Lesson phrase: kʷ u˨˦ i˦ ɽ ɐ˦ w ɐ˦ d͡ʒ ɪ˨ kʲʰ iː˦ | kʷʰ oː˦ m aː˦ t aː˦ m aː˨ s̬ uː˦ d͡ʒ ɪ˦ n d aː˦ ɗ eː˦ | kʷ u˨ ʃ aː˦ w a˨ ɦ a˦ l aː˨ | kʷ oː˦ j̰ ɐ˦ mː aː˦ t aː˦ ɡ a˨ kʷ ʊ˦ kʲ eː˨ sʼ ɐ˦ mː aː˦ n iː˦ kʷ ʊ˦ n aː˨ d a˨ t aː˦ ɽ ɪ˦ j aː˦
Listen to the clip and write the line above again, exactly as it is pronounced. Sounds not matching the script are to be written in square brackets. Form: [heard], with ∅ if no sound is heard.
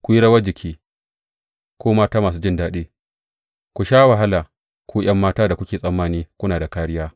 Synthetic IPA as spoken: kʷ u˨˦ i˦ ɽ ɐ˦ w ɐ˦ d͡ʒ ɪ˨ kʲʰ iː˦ | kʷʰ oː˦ m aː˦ t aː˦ m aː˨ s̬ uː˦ d͡ʒ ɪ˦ n d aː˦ ɗ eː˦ | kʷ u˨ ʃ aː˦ w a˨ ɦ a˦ l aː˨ | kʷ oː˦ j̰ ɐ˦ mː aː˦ t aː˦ [d] a˨ kʷ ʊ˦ kʲ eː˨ sʼ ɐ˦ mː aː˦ n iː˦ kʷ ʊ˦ n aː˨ d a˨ [k] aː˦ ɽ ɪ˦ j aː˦